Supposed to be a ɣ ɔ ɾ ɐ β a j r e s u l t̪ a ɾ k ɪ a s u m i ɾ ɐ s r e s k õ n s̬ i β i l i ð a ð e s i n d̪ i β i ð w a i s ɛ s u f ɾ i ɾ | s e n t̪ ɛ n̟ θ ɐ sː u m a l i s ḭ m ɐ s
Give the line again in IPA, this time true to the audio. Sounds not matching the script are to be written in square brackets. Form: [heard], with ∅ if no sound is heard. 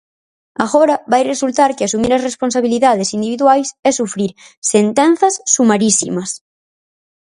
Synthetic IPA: a ɣ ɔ ɾ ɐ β a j r e s u l t̪ a ɾ k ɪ a s u m i ɾ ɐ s r e s [p] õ n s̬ [a] β i l i ð a ð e s i n d̪ i β i ð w a [j] s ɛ s u f ɾ i ɾ | s e n t̪ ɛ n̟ θ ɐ sː u m a [ɾ] i s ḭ m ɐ s